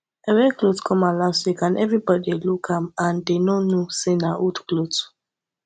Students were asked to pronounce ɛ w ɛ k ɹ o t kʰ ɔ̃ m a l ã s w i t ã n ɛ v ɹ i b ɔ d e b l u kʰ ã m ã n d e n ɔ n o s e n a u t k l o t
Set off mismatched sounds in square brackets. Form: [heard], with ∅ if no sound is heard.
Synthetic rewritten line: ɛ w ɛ k [l] o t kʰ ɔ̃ m a l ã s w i [k] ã n ɛ v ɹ i b ɔ d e [∅] l u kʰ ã m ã n d e n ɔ n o s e n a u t k l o t